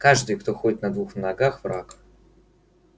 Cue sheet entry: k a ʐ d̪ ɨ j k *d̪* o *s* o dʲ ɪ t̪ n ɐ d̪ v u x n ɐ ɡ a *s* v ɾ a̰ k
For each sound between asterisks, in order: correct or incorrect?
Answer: incorrect: t̪, incorrect: x, incorrect: x

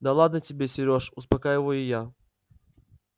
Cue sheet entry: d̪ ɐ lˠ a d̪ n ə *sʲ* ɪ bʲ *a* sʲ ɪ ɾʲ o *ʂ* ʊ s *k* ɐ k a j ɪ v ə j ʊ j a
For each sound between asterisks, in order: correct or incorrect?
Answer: incorrect: tʲ, incorrect: e, correct, incorrect: p

